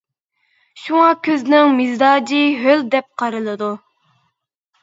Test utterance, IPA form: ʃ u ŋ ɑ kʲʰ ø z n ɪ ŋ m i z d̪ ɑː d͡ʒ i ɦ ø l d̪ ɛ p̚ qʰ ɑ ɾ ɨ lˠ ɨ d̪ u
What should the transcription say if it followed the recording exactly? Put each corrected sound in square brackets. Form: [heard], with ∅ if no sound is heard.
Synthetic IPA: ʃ u ŋ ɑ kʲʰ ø z n ɪ ŋ m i z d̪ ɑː d͡ʒ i ɦ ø l d̪ ɛ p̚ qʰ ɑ ɾ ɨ lˠ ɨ d̪ u